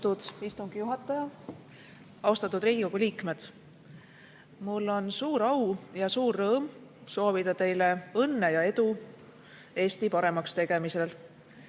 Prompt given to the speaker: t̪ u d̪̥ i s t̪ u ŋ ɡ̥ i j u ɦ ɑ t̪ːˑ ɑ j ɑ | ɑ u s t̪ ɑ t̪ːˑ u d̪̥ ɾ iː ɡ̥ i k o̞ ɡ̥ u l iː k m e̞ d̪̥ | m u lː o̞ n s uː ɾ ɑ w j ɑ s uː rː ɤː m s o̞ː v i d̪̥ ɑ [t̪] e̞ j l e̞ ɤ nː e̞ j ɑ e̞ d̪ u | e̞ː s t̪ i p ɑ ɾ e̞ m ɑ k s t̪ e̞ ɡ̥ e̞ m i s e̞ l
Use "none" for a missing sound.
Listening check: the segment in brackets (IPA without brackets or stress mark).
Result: t̪